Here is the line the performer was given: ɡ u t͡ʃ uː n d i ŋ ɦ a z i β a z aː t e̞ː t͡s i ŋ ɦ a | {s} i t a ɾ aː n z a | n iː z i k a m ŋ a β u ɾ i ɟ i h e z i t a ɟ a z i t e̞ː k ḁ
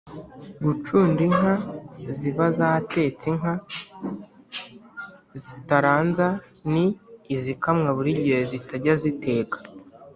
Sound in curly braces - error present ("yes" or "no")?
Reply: yes